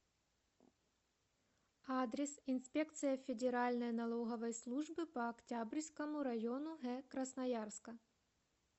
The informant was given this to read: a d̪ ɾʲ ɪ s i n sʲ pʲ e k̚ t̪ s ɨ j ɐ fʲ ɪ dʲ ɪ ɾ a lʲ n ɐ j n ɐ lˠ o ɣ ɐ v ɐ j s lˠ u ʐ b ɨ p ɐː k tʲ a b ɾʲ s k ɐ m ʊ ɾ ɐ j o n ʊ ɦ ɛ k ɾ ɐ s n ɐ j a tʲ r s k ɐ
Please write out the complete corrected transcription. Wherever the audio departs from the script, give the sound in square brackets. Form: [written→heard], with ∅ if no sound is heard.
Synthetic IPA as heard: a d̪ ɾʲ ɪ s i n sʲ pʲ e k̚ t̪ s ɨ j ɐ fʲ ɪ dʲ ɪ ɾ a lʲ n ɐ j n ɐ lˠ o ɣ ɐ v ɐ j s lˠ u ʐ b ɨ p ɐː k tʲ a b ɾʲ s k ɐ m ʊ ɾ ɐ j o n ʊ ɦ ɛ k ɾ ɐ s n ɐ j a [tʲ→∅] r s k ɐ